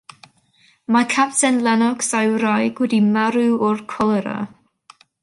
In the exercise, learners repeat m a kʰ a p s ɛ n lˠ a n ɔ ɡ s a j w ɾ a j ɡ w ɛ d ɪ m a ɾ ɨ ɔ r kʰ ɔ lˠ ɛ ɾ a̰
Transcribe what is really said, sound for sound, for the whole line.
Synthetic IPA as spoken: m a kʰ a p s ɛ n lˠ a n ɔ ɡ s a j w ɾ a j ɡ w ɛ d i m a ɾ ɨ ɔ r kʰ ɔ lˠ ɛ ɾ a̰

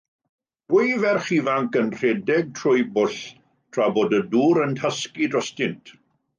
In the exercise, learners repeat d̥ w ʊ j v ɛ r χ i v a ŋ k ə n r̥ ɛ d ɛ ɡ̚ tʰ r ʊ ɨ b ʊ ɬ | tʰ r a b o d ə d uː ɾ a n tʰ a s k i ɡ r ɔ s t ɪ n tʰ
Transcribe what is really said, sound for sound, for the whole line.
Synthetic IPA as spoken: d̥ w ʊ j v ɛ r χ i v a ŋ k ə n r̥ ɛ d ɛ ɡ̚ tʰ r ʊ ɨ b ʊ ɬ | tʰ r a b o d ə d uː ɾ ə n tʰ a s k i d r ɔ s t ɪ n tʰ

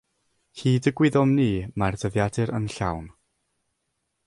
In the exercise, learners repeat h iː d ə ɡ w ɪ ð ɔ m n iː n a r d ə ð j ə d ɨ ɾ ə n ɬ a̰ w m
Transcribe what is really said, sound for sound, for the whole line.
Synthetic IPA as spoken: h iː d ə ɡ w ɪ ð ɔ m n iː m a r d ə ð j a d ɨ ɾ ə n ɬ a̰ w n

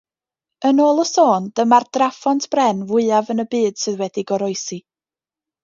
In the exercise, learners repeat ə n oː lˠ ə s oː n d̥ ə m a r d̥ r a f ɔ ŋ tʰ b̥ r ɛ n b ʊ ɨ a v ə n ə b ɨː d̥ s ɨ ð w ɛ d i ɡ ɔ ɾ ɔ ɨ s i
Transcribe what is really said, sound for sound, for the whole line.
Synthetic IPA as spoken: ə n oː lˠ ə s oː n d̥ ə m a r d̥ r a f ɔ n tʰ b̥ r ɛ n v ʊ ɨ a v ə n ə b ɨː d̥ s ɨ ð w ɛ d i ɡ ɔ ɾ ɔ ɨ s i

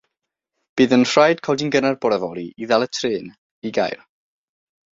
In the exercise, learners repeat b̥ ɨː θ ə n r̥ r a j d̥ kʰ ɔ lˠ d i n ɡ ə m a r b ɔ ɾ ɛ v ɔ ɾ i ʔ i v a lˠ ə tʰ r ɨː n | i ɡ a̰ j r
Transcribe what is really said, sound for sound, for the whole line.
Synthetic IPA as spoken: b̥ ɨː ð ə n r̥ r a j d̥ kʰ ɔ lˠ d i n ɡ ə n a r b ɔ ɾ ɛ v ɔ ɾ i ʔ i ð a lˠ ə tʰ r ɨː n | i ɡ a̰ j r

